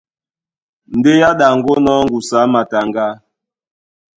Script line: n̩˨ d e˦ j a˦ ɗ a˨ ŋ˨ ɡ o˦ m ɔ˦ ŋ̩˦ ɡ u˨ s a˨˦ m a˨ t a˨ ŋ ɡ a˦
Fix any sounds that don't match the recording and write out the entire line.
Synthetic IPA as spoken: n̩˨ d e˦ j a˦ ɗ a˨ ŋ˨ ɡ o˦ n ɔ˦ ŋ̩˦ ɡ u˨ s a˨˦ m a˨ t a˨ ŋ ɡ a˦